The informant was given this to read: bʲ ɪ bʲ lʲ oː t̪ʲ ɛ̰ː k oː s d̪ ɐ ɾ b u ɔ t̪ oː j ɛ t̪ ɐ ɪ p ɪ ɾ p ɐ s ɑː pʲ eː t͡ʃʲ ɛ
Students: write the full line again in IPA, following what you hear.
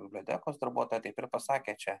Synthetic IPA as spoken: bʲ ɪ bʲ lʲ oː t̪ʲ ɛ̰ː k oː s d̪ ɐ ɾ b u ɔ t̪ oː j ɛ t̪ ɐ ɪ p ɪ ɾ p ɐ s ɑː kʲ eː t͡ʃʲ ɛ